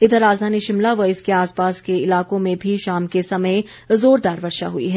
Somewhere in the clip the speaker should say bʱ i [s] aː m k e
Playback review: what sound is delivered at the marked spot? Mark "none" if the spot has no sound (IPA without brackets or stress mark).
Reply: ʃ